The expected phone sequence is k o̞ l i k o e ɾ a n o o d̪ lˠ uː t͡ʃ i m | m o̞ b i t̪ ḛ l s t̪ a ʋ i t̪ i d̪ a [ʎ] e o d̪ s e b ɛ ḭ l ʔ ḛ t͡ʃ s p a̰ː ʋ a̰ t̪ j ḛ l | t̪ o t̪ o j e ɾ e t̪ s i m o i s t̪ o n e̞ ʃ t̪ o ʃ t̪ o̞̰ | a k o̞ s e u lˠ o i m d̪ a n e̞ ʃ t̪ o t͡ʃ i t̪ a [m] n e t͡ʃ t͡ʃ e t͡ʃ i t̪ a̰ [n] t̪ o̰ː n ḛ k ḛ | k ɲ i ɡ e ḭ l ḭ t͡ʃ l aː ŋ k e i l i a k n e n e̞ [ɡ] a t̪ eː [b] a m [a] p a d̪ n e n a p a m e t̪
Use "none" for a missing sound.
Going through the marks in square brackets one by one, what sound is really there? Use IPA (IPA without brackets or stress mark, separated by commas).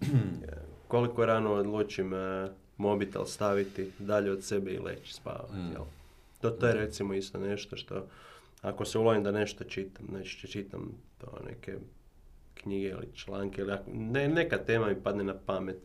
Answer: ʎ, m, m, k, m, i